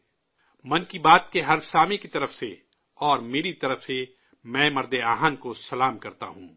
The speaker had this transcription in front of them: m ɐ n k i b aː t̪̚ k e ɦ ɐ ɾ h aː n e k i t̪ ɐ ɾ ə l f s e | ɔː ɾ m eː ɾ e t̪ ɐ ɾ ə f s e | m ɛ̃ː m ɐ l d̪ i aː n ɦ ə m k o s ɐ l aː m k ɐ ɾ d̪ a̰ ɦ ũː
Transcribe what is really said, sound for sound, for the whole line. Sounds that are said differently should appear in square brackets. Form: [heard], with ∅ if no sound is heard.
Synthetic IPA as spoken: m ɐ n k i b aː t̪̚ k e ɦ ɐ ɾ [s] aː [m] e k i t̪ ɐ ɾ ə [∅] f s e | ɔː ɾ m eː ɾ [i] t̪ ɐ ɾ ə f s e | m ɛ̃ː m ɐ [ɾ] d̪ [e] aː [∅] ɦ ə [n] k o s ɐ l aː m k ɐ ɾ [t̪] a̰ ɦ ũː